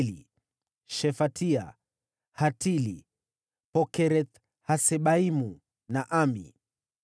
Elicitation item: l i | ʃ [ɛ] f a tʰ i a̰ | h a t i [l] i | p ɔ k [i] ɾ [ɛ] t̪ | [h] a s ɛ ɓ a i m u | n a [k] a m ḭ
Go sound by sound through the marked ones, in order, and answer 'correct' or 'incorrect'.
correct, correct, incorrect: ɛ, correct, correct, incorrect: ʔ

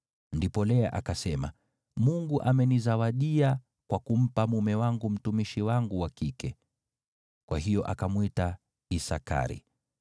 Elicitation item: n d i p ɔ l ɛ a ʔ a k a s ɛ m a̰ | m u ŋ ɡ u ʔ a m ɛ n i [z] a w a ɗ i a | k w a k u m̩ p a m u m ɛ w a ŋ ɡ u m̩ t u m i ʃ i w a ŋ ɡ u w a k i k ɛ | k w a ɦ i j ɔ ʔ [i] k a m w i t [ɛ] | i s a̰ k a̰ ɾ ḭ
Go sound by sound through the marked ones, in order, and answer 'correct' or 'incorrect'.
correct, incorrect: a, incorrect: a

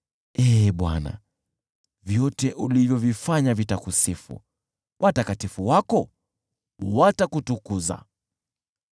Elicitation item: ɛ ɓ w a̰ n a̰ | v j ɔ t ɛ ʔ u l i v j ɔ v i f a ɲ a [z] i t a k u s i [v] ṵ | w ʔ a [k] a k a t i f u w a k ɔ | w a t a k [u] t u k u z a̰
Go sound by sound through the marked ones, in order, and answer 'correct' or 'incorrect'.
incorrect: v, incorrect: f, incorrect: t, correct

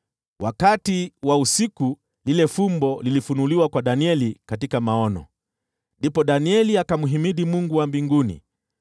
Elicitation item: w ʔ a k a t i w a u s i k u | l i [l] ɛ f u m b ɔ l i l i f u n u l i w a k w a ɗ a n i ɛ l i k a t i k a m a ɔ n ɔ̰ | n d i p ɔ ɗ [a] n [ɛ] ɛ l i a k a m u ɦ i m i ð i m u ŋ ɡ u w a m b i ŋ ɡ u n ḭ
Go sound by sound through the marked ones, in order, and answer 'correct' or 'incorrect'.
correct, correct, incorrect: i

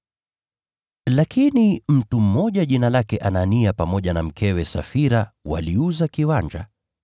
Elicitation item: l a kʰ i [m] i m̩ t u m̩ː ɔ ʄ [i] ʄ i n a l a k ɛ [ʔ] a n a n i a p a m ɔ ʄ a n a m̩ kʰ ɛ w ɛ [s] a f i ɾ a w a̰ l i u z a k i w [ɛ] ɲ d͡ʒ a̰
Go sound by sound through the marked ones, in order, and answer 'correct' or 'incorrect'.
incorrect: n, incorrect: a, correct, correct, incorrect: a

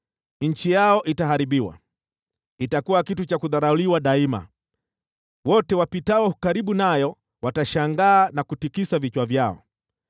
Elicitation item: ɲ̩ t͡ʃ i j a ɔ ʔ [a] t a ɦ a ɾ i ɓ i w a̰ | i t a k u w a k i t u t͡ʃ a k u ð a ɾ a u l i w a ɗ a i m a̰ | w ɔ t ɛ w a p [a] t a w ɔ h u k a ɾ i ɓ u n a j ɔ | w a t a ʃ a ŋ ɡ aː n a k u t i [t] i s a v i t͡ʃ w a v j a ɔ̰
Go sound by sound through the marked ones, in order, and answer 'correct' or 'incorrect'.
incorrect: i, incorrect: i, incorrect: k

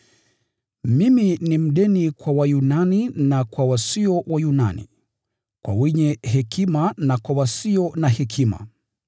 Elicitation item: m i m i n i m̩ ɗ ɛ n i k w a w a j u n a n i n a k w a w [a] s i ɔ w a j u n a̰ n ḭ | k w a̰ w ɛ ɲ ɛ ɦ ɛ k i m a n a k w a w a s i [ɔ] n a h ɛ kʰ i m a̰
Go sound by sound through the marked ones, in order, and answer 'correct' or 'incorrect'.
correct, correct

